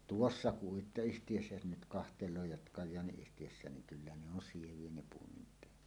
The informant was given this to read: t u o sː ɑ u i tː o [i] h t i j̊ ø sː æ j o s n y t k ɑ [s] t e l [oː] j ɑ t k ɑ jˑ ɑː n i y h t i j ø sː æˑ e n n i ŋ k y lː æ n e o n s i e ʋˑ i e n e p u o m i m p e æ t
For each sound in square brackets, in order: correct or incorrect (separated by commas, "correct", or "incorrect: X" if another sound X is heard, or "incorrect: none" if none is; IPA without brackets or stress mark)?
incorrect: y, incorrect: h, correct